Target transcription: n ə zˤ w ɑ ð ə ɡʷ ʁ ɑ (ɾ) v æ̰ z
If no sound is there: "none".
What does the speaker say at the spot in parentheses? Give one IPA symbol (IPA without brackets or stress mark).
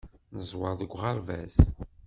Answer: ɾ